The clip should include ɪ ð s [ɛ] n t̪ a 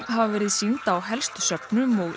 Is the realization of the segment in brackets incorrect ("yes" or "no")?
yes